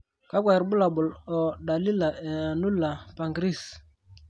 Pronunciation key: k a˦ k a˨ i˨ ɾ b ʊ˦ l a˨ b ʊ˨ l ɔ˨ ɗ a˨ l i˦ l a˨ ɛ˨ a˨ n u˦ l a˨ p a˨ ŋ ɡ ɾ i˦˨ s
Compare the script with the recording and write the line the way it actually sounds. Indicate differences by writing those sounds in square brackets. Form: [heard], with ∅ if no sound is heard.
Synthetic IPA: k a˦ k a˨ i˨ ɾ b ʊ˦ l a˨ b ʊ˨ l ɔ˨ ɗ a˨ l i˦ l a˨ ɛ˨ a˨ n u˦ l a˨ p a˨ ŋ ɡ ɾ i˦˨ s